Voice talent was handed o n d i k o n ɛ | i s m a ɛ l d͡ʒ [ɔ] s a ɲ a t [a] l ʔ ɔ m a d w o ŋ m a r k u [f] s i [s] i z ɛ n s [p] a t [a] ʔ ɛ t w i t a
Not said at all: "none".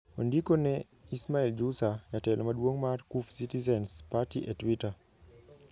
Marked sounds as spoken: u, ɛ, f, t, p, i

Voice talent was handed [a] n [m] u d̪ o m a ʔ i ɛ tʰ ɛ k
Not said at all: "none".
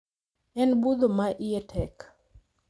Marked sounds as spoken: ɛ, b

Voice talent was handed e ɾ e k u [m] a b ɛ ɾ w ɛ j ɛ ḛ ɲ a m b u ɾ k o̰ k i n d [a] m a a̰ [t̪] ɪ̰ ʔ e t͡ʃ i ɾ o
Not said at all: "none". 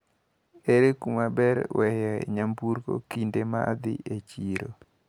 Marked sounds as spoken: m, e, d̪

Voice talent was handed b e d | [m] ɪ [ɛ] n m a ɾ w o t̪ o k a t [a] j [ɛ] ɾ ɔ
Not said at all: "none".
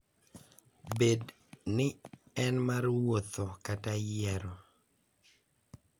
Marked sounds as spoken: n, ɛ, a, ɛ

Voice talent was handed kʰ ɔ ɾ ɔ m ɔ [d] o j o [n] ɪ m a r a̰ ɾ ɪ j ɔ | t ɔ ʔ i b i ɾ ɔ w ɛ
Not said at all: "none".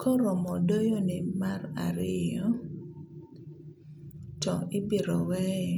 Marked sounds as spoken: d, n

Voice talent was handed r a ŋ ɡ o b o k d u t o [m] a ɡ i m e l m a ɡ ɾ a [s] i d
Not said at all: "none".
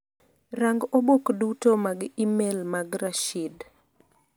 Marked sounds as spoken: m, ʃ

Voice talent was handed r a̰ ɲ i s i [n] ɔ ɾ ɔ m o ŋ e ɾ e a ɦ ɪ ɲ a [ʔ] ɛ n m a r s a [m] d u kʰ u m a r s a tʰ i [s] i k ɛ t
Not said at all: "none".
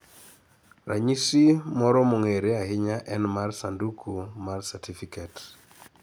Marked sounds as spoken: m, ʔ, n, f

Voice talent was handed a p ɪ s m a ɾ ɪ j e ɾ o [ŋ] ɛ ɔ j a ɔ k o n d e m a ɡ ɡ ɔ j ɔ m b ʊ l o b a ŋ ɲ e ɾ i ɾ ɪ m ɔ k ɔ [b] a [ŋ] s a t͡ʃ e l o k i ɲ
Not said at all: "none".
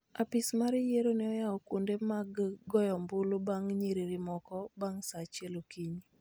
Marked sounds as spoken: n, b, ŋ

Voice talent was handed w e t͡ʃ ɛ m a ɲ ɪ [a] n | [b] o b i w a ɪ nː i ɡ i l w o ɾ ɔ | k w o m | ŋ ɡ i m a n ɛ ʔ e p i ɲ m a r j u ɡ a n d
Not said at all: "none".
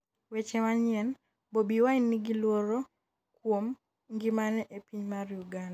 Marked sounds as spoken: ɛ, b

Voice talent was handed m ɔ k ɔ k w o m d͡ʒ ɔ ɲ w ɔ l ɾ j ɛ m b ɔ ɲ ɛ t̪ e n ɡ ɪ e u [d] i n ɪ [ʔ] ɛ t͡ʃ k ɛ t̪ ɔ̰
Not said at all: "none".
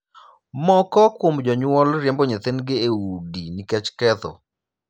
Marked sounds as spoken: d, k

